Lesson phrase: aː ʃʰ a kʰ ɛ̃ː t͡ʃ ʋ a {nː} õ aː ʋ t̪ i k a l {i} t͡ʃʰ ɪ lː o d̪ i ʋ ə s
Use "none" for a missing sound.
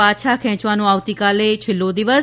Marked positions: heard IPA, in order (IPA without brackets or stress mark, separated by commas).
n, e